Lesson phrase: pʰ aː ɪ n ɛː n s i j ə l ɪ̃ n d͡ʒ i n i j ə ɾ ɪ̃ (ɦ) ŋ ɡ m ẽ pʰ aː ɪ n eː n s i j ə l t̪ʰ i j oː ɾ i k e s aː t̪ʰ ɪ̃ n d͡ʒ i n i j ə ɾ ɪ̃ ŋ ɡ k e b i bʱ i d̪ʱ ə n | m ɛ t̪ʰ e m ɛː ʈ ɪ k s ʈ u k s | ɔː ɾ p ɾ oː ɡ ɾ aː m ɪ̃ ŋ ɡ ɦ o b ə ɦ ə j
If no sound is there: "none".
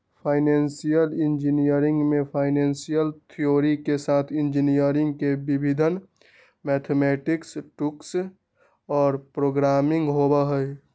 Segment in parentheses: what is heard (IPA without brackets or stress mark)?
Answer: none